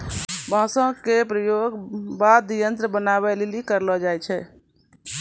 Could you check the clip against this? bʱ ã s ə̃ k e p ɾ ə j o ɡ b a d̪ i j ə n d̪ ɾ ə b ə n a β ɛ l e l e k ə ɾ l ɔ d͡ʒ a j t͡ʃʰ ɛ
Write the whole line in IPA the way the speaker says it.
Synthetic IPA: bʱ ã s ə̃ k e p ɾ ə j o ɡ b a d̪ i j ə n t̪ ɾ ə b ə n a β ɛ l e l i k ə ɾ l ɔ d͡ʒ a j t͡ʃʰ ɛ

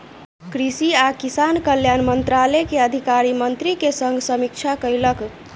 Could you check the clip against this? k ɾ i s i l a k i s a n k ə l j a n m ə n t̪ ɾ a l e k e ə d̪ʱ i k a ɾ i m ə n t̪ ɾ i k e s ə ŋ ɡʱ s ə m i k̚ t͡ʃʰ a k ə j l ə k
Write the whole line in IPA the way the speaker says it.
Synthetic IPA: k ɾ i s i a k i s a n k ə l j a n m ə n t̪ ɾ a l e k e ə d̪ʱ i k a ɾ i m ə n t̪ ɾ i k e s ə ŋ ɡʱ s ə m i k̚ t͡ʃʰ a k ə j l ə k

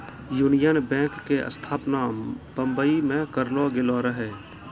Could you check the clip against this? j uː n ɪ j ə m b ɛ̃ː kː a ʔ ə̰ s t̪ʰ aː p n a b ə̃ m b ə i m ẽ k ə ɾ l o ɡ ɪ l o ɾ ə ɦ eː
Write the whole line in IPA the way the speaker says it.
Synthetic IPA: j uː n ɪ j ə n b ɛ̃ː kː e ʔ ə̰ s t̪ʰ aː p n a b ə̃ m b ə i m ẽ k ə ɾ l o ɡ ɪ l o ɾ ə ɦ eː

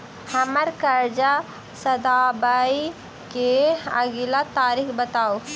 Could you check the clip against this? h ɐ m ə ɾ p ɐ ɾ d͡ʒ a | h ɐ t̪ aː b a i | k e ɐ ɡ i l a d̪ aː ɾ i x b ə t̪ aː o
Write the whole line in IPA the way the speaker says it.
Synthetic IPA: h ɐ m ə ɾ k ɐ ɾ d͡ʒ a | s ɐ d̪ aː b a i | k e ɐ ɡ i l a t̪ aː ɾ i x b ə t̪ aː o

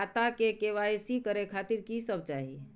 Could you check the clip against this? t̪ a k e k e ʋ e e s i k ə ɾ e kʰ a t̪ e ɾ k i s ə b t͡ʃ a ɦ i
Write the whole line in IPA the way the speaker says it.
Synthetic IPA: t̪ a k e k e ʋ a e s i k ə ɾ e kʰ a t̪ i ɾ k i s ə b t͡ʃ a ɦ i

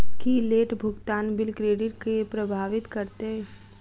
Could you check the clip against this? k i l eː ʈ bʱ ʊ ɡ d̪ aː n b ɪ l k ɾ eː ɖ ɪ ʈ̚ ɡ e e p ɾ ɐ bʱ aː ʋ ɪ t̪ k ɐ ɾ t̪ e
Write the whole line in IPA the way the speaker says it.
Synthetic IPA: k i l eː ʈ bʱ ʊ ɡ t̪ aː n b ɪ l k ɾ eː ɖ ɪ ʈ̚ k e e p ɾ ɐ bʱ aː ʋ ɪ t̪ k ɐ ɾ t̪ e

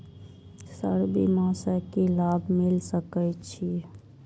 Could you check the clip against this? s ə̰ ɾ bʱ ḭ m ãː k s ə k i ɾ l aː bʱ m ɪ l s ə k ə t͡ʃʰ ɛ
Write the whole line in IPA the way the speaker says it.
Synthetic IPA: s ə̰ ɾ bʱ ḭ m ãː s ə k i l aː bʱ m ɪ l s ə k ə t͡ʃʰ i

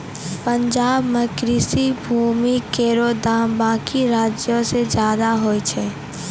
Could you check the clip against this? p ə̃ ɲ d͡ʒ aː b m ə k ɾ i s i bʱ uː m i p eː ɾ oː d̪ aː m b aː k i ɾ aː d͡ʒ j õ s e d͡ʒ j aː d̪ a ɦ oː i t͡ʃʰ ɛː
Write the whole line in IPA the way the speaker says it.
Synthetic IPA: p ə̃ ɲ d͡ʒ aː b m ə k ɾ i s i bʱ uː m i k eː ɾ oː d̪ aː m b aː k i ɾ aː d͡ʒ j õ s e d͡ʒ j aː d̪ a ɦ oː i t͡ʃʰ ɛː

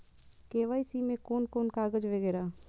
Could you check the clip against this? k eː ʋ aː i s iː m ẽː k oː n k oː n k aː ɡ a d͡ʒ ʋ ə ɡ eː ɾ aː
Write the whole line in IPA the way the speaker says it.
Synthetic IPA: k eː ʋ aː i s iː m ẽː k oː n k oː n k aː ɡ ə d͡ʒ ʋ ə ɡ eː ɾ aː

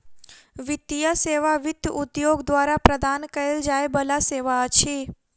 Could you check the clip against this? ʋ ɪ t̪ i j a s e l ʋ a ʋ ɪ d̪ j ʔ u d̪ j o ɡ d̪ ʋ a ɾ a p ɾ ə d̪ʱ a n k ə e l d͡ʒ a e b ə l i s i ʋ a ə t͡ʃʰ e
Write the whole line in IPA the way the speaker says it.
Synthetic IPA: ʋ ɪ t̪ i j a s e ʋ a ʋ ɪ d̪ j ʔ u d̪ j o ɡ d̪ ʋ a ɾ a p ɾ ə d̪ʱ a n k ə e l d͡ʒ a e b ə l a s e ʋ a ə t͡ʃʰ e

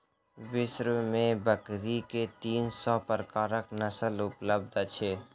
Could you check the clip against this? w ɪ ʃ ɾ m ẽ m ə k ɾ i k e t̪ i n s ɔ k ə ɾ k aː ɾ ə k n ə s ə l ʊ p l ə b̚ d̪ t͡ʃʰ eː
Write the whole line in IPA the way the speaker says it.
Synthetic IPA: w ɪ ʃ ɾ m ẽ b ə k ɾ i k e t̪ iː n s ɔ p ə ɾ k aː ɾ ə k n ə s ə l ʊ p l ə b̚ d̪ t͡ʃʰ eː

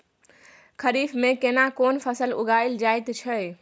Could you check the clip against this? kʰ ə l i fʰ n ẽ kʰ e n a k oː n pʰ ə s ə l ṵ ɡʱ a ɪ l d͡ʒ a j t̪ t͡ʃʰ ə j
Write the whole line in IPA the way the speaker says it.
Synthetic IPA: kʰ ə ɾ i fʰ m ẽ k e n a k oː n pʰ ə s ə l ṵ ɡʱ a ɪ l d͡ʒ a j t̪ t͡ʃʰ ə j

